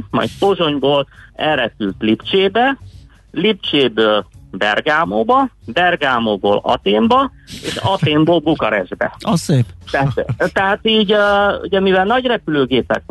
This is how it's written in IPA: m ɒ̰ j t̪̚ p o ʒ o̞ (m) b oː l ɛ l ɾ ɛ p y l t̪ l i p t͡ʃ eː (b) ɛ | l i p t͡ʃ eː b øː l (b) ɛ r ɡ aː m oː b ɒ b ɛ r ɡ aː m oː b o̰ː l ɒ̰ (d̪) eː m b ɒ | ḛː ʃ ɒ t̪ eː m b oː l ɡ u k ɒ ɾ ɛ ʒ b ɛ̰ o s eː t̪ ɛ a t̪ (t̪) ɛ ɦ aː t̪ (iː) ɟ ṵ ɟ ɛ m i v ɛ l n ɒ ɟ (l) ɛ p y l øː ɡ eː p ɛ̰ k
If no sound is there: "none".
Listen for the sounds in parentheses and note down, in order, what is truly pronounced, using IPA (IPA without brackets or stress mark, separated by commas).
ɲ, b, b, t̪, t̪, iː, r